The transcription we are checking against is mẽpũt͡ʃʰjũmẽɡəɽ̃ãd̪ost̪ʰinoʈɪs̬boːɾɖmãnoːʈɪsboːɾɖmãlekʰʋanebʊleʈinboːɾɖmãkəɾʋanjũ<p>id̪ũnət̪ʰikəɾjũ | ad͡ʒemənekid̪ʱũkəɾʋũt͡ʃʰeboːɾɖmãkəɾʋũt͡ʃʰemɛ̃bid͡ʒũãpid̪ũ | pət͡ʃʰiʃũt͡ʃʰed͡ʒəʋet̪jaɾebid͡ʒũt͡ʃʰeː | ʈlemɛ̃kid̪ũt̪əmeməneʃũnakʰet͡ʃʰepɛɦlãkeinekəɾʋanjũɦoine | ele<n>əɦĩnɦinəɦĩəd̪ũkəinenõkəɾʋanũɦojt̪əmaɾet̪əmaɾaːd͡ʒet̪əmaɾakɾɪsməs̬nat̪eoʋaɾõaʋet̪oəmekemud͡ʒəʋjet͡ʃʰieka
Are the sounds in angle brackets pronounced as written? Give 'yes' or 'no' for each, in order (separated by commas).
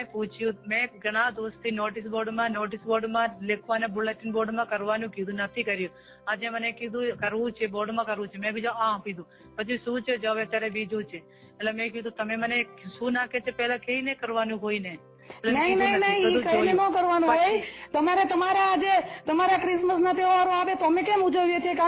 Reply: no, yes